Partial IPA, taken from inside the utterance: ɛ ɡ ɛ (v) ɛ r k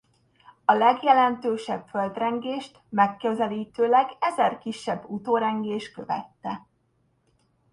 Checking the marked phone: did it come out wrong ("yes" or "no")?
yes